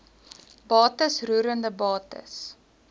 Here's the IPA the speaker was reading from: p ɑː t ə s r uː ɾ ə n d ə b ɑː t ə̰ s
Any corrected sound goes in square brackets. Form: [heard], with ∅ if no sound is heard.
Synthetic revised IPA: [b] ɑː t ə s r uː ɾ ə n d ə b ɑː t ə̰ s